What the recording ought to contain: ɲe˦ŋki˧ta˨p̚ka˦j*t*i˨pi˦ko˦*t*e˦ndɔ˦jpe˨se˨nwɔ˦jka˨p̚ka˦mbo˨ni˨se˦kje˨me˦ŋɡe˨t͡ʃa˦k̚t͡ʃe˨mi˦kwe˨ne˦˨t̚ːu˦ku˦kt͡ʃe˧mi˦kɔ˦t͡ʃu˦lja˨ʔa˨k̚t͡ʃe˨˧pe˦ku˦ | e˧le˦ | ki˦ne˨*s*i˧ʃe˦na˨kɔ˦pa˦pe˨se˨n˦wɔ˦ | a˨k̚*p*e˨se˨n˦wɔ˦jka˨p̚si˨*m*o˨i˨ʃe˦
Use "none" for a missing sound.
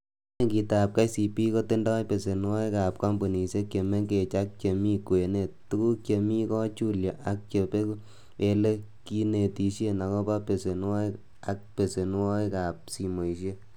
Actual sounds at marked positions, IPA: s, t, t, p, m

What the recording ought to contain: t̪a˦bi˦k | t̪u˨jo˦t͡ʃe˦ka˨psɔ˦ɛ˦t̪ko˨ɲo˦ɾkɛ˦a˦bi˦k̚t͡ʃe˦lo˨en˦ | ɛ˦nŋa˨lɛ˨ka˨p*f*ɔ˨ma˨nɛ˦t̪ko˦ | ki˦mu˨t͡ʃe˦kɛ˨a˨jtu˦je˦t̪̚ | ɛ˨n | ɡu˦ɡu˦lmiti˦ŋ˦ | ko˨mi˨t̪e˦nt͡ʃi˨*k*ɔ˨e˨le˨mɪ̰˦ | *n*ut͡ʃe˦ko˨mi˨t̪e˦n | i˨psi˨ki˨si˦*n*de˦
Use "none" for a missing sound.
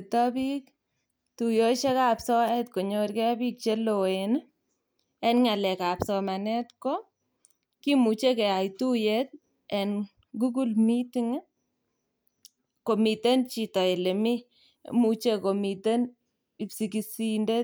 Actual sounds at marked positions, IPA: s, t, m, n

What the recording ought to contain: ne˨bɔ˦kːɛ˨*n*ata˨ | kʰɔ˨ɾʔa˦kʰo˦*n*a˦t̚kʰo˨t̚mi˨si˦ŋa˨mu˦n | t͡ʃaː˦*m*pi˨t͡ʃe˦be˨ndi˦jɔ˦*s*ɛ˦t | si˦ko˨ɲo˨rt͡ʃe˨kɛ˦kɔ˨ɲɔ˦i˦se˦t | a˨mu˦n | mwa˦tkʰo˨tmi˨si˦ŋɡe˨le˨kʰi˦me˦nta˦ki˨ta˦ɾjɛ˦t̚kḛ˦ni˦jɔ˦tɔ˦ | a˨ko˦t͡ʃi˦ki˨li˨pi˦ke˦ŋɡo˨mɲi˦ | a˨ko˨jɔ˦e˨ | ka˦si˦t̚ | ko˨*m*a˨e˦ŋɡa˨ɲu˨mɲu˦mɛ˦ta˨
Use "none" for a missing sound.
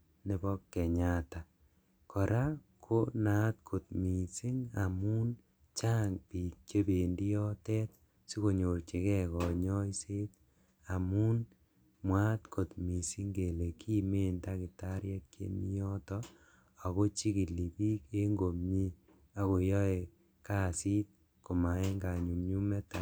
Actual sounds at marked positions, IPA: ɲ, n, ŋ, t, m

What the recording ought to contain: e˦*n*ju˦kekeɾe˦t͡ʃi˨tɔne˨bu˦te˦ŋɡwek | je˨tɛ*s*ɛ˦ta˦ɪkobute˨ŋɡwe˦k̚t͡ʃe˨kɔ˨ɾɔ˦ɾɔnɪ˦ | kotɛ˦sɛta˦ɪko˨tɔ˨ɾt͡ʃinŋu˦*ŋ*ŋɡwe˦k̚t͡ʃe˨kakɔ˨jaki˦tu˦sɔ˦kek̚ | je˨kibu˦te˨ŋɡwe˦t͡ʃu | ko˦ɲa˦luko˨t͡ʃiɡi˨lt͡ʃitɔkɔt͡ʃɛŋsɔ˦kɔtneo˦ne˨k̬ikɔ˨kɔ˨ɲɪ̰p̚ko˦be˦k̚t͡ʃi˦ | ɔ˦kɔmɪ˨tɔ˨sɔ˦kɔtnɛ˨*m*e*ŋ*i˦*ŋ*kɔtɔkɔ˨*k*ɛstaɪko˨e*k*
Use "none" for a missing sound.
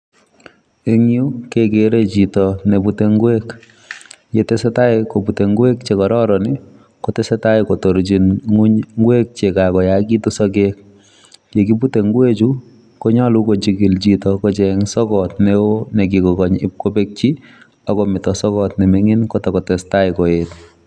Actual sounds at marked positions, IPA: ŋ, s, ɲ, m, ŋ, n, t, t

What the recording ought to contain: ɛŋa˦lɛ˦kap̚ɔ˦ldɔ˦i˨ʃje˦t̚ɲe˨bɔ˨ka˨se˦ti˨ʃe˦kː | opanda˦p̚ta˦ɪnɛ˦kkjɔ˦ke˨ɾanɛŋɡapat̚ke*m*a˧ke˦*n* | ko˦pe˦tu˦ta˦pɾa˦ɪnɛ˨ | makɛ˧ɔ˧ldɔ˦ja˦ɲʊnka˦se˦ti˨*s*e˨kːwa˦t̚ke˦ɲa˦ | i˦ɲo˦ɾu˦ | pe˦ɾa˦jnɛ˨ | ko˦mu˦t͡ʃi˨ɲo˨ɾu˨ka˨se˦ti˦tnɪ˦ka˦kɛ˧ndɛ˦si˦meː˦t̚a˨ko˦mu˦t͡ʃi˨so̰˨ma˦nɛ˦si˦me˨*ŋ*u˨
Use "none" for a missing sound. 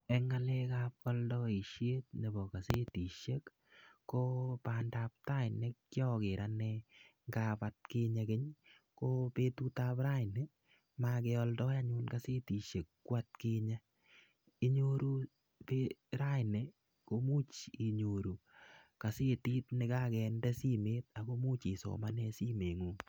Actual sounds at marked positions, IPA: ɲ, ɲ, ʃ, ŋ

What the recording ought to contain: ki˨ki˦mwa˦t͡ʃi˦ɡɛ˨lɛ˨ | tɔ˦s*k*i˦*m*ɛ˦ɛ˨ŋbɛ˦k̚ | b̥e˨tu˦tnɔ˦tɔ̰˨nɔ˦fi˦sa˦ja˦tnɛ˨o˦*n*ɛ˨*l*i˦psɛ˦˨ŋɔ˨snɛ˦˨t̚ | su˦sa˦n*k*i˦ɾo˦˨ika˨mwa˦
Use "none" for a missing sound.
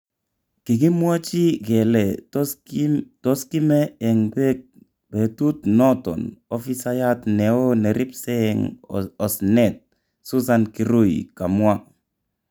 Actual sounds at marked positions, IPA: k, m, n, ɾ, k

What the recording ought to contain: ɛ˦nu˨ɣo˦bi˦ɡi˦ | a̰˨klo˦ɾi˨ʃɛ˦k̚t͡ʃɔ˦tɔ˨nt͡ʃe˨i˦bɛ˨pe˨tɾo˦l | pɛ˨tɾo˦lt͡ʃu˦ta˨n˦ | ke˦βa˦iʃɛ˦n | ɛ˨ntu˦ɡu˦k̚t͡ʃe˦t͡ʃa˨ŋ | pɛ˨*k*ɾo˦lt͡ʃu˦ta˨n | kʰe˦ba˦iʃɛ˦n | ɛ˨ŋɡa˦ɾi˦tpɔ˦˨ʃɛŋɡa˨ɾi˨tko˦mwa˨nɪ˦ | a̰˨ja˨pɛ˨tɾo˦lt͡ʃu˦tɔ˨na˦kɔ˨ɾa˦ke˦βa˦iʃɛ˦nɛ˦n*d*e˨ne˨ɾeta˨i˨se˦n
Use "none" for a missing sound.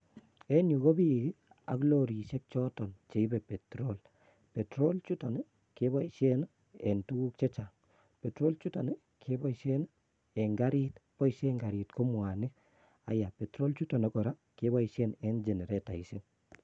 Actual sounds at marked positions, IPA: t, d͡ʒ

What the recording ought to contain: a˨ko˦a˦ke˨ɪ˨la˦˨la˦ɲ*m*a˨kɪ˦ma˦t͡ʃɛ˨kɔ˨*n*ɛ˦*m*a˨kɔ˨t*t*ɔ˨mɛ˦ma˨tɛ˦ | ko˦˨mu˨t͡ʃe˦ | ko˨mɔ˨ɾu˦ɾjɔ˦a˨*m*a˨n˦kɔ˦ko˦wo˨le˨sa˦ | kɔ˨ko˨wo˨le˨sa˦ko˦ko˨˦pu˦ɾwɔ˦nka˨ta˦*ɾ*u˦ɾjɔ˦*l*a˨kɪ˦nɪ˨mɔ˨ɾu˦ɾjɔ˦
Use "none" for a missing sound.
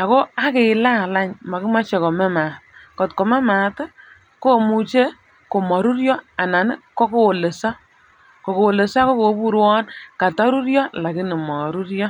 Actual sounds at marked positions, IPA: m, m, m, k, n, ɾ, l

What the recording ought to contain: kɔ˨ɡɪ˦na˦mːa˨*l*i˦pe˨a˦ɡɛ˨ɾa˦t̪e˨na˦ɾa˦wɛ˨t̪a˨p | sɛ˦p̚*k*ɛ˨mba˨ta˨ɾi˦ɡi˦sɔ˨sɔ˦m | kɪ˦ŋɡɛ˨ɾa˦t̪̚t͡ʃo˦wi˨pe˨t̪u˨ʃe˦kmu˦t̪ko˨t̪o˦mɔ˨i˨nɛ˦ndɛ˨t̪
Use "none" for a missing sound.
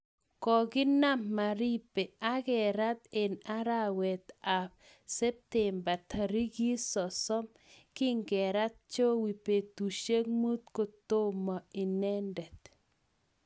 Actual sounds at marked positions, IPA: ɾ, t

